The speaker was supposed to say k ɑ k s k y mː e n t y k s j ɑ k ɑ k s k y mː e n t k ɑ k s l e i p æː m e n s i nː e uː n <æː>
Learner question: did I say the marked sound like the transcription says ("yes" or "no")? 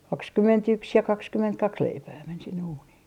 no